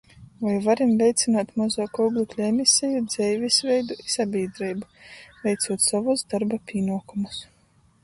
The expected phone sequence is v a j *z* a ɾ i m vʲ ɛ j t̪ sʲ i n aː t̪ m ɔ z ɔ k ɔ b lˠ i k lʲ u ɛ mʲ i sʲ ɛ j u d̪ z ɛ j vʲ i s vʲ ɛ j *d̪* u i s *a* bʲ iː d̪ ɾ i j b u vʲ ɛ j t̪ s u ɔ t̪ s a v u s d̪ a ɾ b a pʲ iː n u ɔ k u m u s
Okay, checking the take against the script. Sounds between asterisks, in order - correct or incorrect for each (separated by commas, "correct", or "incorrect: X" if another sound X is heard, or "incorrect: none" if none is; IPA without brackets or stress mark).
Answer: incorrect: v, correct, correct